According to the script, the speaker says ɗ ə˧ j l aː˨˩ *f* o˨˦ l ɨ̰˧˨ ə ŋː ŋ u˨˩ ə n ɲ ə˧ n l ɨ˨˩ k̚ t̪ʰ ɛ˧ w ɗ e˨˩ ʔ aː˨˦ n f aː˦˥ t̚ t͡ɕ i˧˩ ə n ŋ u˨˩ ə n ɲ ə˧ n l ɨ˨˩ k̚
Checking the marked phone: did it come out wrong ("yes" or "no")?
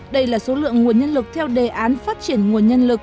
yes